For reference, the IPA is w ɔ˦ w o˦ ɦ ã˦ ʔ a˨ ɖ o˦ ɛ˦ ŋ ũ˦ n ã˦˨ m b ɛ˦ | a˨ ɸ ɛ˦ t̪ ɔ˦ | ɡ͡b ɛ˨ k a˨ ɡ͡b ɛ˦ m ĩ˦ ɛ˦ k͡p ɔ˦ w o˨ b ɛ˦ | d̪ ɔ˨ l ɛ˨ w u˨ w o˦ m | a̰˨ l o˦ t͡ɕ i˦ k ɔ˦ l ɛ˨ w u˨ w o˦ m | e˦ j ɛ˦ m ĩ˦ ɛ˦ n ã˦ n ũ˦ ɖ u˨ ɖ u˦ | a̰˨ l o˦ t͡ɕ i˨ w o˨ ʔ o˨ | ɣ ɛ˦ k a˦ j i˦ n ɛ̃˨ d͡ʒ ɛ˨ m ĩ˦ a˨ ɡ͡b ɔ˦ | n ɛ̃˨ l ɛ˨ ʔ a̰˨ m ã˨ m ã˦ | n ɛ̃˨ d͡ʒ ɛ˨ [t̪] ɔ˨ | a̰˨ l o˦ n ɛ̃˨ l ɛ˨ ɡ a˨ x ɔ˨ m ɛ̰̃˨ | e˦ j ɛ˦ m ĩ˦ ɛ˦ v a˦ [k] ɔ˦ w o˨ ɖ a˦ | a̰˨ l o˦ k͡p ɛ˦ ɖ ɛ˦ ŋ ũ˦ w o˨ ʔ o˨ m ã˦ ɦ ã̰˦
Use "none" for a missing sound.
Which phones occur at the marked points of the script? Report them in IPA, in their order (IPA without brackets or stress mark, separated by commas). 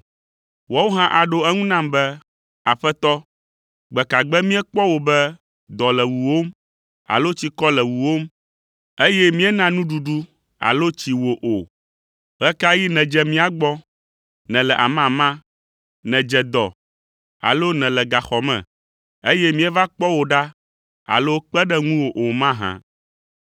d̪, k͡p